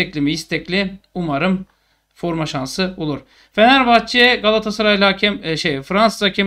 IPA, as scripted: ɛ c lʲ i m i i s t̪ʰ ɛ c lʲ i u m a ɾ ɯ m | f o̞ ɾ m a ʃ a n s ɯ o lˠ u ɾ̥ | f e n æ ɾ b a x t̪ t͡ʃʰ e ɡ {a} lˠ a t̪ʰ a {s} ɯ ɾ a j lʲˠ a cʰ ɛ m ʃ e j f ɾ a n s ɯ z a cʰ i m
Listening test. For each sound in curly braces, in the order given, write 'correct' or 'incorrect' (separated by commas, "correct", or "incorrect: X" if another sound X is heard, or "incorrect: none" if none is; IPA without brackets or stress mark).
correct, correct